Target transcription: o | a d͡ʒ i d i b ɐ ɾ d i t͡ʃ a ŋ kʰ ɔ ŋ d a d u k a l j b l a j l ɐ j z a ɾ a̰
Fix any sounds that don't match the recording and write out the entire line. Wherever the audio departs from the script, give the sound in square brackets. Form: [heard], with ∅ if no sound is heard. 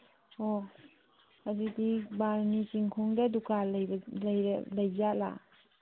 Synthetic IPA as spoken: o | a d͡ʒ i d i b [a] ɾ [n] i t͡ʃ [i] ŋ kʰ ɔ ŋ d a d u k a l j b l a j l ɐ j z a [l] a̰